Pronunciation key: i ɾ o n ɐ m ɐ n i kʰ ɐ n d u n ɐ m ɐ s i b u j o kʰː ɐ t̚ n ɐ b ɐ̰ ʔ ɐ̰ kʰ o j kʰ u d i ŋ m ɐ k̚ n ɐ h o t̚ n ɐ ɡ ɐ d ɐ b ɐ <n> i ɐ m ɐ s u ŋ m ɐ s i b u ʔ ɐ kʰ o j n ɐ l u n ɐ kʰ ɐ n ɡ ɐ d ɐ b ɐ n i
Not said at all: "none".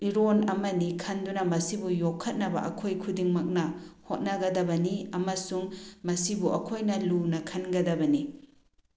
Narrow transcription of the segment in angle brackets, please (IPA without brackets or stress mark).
n